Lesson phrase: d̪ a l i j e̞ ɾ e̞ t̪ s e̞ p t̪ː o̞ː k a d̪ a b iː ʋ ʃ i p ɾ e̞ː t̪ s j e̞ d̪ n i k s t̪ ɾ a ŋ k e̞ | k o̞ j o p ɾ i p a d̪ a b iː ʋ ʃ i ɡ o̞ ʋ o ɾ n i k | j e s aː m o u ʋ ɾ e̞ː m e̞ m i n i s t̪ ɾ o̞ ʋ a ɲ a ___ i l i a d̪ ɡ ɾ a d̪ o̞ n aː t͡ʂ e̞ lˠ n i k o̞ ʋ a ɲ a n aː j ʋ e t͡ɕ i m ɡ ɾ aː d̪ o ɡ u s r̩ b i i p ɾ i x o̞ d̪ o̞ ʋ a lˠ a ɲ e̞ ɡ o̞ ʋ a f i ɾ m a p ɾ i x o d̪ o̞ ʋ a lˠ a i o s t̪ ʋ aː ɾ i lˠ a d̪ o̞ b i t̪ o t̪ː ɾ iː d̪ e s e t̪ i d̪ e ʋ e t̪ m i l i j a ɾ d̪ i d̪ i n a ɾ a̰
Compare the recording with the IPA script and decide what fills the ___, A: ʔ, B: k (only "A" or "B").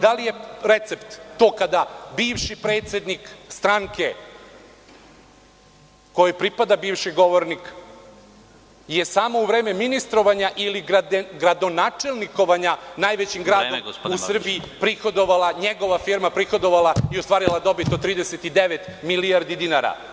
A